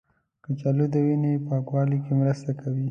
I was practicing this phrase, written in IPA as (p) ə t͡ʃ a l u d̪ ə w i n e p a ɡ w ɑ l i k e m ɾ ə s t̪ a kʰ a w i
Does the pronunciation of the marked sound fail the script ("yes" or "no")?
yes